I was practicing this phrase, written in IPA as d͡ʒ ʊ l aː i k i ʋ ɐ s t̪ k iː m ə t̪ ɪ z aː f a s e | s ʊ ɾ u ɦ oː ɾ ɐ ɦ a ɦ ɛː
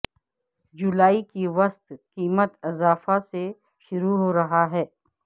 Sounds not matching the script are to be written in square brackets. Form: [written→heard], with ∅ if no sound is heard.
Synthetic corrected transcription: d͡ʒ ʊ l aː i k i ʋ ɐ s t̪ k iː m ə t̪ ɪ z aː f a s e | [s→ʃ] ʊ ɾ u ɦ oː ɾ ɐ ɦ a ɦ ɛː